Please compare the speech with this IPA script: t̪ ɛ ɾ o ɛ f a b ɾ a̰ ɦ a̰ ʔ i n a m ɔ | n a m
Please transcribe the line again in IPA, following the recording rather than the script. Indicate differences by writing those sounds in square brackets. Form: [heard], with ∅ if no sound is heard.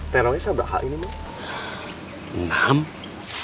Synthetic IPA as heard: t̪ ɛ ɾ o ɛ [s] a b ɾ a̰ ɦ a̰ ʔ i n [i] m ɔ | n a m